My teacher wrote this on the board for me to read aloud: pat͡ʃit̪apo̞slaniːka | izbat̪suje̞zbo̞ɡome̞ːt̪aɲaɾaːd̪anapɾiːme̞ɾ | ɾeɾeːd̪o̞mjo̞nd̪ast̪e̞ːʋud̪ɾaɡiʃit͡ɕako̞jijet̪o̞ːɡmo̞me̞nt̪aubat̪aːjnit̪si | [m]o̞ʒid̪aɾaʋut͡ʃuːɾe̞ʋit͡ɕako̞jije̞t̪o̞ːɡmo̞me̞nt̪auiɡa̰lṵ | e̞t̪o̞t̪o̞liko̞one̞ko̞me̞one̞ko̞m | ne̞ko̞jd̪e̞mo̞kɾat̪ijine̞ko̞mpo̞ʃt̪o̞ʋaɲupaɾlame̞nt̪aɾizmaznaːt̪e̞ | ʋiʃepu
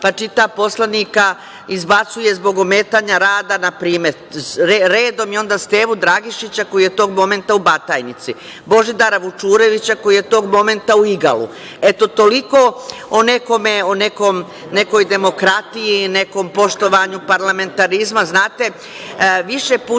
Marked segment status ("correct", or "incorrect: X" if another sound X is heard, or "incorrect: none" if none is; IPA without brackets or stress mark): incorrect: b